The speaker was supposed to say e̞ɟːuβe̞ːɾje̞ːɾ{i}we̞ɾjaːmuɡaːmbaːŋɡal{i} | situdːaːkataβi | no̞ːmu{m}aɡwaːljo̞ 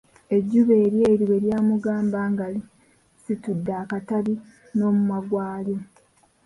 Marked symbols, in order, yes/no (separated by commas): yes, yes, yes